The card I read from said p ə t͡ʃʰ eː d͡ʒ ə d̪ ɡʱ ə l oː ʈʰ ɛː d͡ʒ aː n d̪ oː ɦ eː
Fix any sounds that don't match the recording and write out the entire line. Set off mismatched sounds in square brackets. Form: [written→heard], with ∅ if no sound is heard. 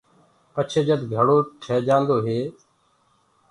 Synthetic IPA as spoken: p ə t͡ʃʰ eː d͡ʒ ə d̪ ɡʱ ə [l→ɽ] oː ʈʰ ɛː d͡ʒ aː n d̪ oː ɦ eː